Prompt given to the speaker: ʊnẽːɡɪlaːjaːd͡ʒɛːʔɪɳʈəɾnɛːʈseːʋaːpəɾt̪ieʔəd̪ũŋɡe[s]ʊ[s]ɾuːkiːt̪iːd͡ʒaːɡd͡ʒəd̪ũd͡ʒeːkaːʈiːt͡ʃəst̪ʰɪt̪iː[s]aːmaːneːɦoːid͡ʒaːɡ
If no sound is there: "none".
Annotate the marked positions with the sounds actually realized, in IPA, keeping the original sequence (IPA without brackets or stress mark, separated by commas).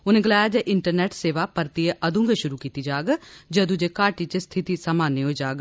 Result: ʃ, none, s